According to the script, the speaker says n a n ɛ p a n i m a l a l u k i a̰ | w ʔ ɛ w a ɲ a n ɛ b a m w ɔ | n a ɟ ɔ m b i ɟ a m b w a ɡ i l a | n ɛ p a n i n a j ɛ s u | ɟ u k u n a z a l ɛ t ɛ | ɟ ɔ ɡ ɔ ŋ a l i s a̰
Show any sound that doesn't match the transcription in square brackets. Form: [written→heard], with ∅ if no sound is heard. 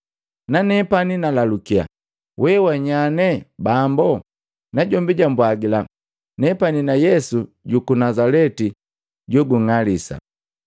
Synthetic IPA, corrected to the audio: n a n ɛ p a n i [m→n] a l a l u k i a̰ | w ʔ ɛ w a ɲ a n ɛ b a m [w→b] ɔ | n a ɟ ɔ m b i ɟ a m b w a ɡ i l a | n ɛ p a n i n a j ɛ s u | ɟ u k u n a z a l ɛ t [ɛ→i] | ɟ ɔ ɡ [ɔ→u] ŋ a l i s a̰